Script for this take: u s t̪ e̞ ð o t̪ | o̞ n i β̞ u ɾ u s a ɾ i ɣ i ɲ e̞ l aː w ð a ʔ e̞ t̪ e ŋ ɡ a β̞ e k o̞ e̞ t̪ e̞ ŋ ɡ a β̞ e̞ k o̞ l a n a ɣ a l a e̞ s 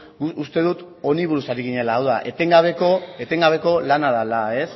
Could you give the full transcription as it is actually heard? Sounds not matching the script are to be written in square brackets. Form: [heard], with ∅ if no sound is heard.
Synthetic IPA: u s t̪ e̞ ð [u] t̪ | o̞ n i β̞ u ɾ u s a ɾ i ɣ i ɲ e̞ l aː w ð a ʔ e̞ t̪ e ŋ ɡ a β̞ e k o̞ e̞ t̪ e̞ ŋ ɡ a β̞ e̞ k o̞ l a n a [ð] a l a e̞ s